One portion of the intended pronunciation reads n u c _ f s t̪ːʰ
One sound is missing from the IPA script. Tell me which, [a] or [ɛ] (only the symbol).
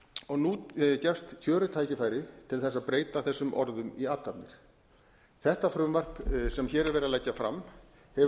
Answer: ɛ